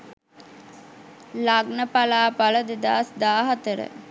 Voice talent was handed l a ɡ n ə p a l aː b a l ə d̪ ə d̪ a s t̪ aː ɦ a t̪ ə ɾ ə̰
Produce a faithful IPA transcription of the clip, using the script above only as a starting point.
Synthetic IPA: l a ɡ n ə p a l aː p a l ə d̪ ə d̪ a s d̪ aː ɦ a t̪ ə ɾ ə̰